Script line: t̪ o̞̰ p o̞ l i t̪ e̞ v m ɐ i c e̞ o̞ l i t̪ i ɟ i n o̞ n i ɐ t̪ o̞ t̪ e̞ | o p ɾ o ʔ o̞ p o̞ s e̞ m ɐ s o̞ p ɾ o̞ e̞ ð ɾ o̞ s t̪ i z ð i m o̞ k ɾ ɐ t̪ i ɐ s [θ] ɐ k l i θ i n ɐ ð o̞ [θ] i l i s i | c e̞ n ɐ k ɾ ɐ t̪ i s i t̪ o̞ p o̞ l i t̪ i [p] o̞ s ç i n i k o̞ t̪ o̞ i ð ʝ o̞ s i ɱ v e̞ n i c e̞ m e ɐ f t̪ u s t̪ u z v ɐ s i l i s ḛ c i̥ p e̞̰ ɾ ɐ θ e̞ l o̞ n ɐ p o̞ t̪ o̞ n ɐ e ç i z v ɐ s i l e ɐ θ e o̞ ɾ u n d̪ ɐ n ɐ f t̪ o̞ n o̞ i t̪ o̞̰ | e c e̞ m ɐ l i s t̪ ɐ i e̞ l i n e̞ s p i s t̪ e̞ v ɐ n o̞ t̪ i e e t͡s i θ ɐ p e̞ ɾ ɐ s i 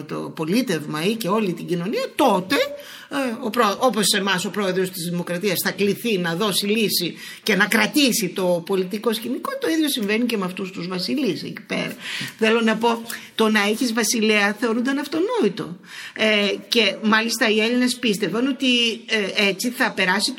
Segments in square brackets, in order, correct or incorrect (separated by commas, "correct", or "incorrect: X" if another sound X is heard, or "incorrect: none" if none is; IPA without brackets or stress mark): correct, incorrect: s, incorrect: k